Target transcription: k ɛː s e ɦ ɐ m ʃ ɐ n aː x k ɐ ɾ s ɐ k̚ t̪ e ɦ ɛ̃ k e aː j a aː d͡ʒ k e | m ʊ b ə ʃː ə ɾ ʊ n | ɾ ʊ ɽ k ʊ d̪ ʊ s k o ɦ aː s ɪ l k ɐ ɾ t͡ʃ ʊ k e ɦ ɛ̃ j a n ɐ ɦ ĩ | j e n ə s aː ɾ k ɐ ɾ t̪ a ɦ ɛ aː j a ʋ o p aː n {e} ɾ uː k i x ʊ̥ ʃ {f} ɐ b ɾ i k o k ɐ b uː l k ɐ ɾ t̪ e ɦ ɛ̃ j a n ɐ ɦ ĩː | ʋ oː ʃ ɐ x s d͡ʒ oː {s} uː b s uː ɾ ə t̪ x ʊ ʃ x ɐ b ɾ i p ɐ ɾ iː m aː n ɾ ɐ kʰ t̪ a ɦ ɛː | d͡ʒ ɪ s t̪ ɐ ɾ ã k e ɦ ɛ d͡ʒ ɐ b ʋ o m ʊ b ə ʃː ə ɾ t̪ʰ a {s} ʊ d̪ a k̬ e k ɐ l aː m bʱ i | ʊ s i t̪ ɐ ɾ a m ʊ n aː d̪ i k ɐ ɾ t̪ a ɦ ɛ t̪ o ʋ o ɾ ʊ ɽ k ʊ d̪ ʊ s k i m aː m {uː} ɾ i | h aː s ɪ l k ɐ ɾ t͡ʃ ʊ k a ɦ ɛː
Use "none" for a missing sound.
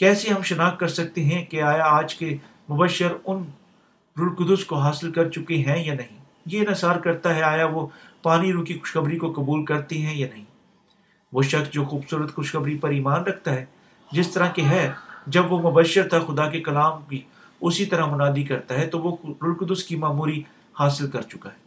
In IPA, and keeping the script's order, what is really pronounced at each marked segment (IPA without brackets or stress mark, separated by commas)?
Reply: i, x, x, x, uː